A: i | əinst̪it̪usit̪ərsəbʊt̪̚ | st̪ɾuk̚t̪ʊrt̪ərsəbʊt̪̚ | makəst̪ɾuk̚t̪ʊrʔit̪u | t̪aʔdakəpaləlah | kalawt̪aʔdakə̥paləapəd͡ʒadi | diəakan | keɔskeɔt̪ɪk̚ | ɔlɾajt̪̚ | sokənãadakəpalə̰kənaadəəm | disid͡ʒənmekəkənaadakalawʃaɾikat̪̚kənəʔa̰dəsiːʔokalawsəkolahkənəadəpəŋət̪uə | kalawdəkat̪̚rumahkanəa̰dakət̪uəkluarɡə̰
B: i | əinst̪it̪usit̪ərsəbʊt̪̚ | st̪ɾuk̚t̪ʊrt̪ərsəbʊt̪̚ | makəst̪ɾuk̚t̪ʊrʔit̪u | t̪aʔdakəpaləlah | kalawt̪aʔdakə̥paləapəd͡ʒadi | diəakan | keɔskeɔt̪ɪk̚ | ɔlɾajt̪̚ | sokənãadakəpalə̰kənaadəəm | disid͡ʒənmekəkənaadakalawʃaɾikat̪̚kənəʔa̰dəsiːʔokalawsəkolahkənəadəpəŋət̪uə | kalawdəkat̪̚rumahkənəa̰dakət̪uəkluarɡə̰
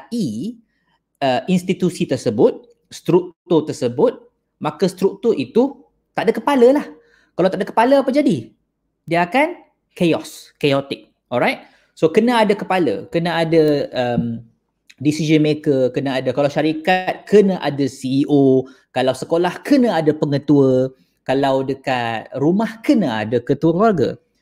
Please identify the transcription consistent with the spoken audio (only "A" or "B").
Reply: B